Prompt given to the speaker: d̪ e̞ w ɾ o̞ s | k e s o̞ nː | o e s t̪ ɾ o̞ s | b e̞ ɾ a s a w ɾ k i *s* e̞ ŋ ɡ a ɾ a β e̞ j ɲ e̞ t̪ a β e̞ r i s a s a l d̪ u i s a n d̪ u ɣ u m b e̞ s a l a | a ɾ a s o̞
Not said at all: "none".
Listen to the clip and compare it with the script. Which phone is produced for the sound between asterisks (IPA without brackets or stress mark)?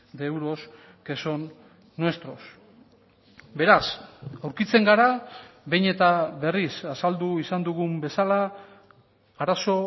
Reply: t͡s